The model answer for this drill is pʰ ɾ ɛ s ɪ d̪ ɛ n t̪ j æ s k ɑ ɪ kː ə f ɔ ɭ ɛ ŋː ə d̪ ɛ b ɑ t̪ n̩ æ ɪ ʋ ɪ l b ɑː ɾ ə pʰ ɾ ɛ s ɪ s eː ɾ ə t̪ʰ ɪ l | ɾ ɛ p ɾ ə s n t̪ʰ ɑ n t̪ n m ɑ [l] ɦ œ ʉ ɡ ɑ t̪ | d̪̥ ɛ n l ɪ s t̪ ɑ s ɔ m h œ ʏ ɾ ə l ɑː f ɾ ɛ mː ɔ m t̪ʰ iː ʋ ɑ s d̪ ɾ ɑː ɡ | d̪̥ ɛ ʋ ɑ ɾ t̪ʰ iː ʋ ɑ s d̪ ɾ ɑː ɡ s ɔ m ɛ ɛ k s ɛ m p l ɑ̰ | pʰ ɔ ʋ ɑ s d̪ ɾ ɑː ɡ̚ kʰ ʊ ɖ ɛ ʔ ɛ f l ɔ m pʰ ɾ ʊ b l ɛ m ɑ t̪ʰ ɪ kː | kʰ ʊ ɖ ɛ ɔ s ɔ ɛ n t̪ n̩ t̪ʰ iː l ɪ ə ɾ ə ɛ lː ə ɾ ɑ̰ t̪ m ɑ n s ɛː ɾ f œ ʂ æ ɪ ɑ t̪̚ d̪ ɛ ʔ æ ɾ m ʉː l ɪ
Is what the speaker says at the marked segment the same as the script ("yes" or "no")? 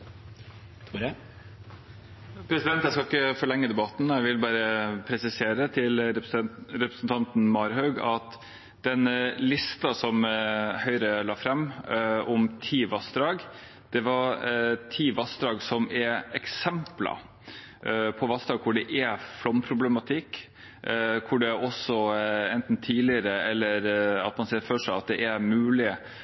no